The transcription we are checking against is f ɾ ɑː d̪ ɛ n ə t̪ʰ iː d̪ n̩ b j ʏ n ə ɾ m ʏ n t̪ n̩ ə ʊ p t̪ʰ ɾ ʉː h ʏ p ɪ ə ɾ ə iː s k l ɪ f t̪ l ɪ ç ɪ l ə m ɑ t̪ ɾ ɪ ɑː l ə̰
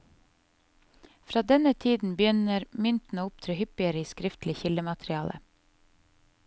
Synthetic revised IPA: f ɾ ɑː d̪ ɛ n ə t̪ʰ iː d̪ n̩ b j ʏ n ə ɾ m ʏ n t̪ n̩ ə ʊ p t̪ʰ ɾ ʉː h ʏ p ɪ ə ɾ ə iː s k ɾ ɪ f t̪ l ɪ ç ɪ l ə m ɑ t̪ ɾ ɪ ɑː l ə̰